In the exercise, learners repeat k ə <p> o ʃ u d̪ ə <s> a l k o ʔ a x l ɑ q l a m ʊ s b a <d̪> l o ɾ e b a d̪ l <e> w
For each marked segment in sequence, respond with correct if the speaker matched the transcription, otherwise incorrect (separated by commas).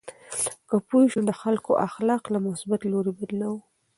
correct, incorrect, incorrect, incorrect